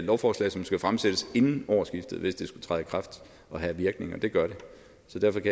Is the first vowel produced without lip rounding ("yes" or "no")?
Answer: no